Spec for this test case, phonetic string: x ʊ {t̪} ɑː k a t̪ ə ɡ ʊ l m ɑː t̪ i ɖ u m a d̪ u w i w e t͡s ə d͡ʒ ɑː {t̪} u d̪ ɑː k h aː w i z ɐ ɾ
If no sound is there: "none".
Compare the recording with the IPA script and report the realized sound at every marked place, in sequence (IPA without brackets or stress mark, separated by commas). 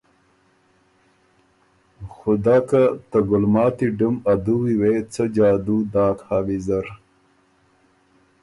d̪, d̪